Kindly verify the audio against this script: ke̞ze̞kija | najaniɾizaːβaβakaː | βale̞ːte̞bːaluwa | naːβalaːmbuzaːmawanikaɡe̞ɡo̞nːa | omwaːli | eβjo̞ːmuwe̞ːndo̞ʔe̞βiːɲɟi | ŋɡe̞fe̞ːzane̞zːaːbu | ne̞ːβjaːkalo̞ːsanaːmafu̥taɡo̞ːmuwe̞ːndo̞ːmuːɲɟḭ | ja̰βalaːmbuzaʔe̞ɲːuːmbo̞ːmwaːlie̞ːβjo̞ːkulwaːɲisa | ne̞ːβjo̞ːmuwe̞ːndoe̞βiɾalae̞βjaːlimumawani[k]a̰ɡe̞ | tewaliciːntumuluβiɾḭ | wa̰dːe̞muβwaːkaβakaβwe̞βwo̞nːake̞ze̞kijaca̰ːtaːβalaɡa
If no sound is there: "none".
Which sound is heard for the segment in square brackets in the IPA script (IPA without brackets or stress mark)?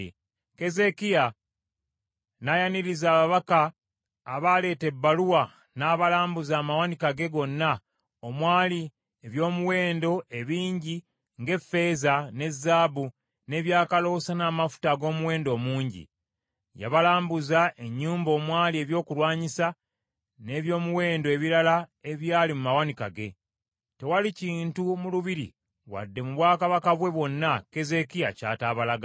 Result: k